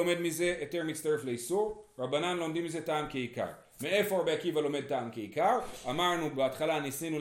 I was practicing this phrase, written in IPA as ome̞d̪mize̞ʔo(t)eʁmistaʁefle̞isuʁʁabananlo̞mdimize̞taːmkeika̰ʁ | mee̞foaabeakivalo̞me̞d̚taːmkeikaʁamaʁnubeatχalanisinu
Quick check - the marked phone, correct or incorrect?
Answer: correct